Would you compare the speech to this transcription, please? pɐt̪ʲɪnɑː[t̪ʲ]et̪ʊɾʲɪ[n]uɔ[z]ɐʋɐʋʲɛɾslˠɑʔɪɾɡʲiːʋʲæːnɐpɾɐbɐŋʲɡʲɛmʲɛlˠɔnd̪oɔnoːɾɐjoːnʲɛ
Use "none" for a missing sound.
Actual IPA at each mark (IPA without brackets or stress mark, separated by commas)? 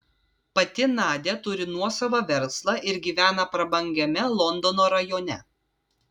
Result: d̪ʲ, n, s